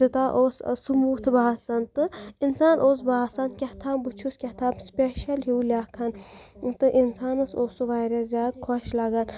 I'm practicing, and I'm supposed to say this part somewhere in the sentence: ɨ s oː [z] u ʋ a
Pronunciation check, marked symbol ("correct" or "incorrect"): incorrect